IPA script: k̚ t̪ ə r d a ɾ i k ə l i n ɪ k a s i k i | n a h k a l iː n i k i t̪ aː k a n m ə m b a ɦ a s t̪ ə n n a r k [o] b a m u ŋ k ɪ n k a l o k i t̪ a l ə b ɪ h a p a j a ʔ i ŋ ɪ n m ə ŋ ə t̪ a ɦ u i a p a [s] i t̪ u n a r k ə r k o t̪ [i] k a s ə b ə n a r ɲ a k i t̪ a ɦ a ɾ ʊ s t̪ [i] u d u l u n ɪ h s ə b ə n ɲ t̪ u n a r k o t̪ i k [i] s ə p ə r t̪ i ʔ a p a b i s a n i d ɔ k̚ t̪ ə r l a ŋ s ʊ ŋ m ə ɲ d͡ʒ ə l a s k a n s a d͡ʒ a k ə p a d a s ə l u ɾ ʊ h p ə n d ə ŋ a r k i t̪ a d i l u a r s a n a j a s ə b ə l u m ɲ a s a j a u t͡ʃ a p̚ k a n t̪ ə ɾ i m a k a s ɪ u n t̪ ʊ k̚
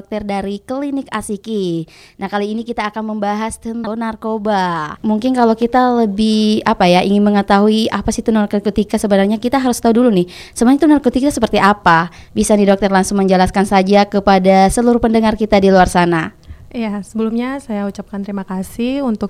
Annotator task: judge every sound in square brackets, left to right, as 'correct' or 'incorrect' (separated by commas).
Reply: correct, correct, correct, incorrect, incorrect